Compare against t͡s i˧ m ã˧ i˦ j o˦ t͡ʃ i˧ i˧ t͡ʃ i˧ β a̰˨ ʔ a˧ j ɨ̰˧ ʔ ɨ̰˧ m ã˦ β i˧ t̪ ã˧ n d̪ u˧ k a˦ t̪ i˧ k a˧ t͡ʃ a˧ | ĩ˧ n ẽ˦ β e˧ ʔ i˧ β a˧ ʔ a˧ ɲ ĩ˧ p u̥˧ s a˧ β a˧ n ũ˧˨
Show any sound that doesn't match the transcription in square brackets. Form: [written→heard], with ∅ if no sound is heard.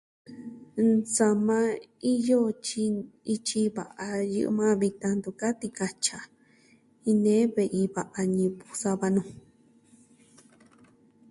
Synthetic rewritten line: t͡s [i˧→a˧] m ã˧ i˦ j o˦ t͡ʃ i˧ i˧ t͡ʃ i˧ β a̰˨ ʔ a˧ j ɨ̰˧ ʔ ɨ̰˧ m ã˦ β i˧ t̪ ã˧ n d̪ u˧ k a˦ t̪ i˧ k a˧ t͡ʃ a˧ | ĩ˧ n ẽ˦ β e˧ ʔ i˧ β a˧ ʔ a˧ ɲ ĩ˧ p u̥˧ s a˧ β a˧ n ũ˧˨